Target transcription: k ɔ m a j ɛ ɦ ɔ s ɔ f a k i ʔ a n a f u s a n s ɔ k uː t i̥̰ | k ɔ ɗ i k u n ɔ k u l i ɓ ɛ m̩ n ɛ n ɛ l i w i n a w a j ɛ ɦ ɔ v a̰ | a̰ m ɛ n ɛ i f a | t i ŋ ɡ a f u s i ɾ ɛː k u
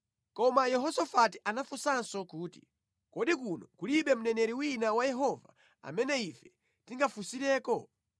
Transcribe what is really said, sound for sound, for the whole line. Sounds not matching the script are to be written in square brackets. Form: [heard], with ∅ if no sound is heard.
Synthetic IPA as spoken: k ɔ m a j ɛ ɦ ɔ s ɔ f a [t] i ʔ a n a f u s a n s ɔ k uː t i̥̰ | k ɔ ɗ i k u n ɔ k u l i ɓ ɛ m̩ n ɛ n ɛ [ɾ] i w i n a w a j ɛ ɦ ɔ v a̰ | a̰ m ɛ n ɛ i f [ɛ] | t i ŋ ɡ a f u s i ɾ ɛː k [ɔ]